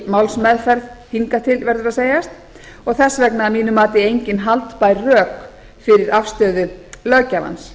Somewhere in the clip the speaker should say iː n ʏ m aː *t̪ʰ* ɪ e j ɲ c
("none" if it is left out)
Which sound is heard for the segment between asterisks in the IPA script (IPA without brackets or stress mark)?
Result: t̪